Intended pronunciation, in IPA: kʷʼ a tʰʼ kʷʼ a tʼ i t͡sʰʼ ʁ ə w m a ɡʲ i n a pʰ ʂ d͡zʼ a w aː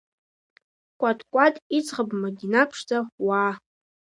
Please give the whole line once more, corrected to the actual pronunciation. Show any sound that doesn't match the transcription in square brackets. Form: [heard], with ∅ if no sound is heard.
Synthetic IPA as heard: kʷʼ a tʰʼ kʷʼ a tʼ i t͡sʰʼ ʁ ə [b] m a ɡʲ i n a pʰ ʂ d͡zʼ a w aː